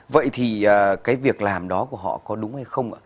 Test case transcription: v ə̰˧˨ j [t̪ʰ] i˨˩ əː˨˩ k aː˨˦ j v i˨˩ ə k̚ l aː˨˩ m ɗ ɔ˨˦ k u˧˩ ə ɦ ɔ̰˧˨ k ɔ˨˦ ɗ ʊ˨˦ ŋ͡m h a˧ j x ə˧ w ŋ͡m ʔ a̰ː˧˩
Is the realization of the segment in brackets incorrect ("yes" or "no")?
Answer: no